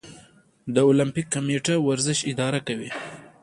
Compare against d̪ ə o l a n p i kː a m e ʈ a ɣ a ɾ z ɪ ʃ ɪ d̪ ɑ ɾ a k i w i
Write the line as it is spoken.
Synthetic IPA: d̪ ə o l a m p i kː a m e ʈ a w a ɾ z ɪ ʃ ɪ d̪ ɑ ɾ a k a w i